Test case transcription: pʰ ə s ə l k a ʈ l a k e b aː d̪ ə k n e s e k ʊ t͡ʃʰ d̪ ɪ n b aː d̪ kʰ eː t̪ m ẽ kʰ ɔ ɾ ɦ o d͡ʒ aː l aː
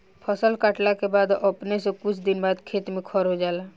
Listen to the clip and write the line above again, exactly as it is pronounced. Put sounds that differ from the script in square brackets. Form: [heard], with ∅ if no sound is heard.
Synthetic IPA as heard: pʰ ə s ə l k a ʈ l a k e b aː d̪ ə [p] n e s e k ʊ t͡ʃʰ d̪ ɪ n b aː d̪ kʰ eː t̪ m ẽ kʰ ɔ ɾ ɦ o d͡ʒ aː l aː